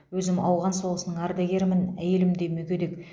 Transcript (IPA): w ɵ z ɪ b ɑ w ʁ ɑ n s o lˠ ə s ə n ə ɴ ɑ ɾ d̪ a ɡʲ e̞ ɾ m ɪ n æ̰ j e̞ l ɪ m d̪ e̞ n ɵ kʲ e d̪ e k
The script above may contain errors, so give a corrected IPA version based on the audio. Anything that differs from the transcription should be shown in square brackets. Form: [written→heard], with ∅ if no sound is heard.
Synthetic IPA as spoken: w ɵ z ɪ [b→m] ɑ w ʁ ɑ n s o lˠ ə s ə n ə ɴ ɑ ɾ d̪ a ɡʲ e̞ ɾ m ɪ n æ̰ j e̞ l ɪ m d̪ e̞ [n→m] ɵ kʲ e d̪ e k